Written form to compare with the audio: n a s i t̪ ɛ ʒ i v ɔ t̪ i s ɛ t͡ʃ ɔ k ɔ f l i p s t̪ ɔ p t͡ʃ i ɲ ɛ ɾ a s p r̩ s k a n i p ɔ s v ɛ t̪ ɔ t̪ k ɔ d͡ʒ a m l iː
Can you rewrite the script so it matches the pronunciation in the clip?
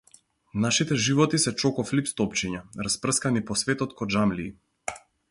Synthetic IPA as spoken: n a ʃ i t̪ ɛ ʒ i v ɔ t̪ i s ɛ t͡ʃ ɔ k ɔ f l i p s t̪ ɔ p t͡ʃ i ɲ a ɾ a s p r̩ s k a n i p ɔ s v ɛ t̪ ɔ t̪ k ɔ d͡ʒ a m l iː